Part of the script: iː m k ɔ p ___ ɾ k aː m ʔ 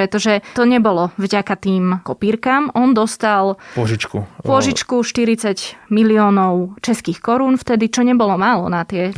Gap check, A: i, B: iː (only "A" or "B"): B